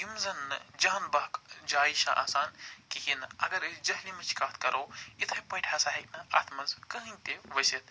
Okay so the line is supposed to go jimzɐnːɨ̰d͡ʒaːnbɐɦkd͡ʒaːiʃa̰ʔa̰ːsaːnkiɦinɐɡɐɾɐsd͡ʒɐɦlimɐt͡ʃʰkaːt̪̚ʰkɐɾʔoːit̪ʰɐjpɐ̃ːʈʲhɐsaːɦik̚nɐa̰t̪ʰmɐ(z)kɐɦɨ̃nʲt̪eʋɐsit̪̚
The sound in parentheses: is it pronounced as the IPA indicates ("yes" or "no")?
yes